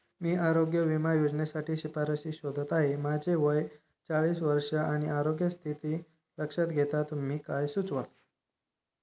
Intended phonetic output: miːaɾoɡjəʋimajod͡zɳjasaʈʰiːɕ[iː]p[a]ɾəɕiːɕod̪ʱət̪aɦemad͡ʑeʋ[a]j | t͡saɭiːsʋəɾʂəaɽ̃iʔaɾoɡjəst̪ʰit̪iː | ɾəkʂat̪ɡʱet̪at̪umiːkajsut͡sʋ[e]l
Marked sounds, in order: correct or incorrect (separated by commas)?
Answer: incorrect, correct, incorrect, incorrect